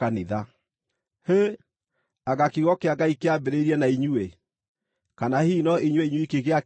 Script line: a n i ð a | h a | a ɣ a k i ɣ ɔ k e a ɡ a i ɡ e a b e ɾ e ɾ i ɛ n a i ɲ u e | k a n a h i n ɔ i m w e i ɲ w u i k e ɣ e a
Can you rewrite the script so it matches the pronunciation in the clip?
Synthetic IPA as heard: a n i ð a | h e | a ɣ a k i ɣ ɔ k e a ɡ a i k e a b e ɾ e ɾ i ɛ n a i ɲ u e | k a n a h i n ɔ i ɲ w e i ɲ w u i k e ɣ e a